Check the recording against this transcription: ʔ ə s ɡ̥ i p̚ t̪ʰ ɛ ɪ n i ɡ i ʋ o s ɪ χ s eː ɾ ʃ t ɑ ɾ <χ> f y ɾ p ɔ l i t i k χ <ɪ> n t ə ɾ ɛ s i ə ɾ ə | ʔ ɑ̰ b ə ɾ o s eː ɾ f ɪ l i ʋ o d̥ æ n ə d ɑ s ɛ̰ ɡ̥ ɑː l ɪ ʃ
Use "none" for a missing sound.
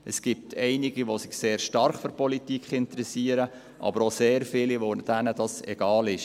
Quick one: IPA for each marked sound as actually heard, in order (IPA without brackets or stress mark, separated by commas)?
χ, ɪ